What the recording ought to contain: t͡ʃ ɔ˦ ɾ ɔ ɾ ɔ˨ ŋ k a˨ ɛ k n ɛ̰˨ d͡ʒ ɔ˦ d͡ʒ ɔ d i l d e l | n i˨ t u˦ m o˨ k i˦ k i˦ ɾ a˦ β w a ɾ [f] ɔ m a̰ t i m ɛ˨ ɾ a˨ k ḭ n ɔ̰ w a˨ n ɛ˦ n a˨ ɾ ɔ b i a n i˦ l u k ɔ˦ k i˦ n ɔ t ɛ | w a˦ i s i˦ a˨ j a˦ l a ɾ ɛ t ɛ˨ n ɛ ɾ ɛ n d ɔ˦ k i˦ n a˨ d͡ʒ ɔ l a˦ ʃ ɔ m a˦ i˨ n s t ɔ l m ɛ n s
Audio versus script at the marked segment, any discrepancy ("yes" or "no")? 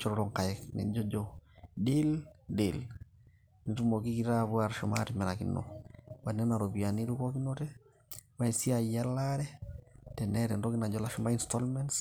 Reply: yes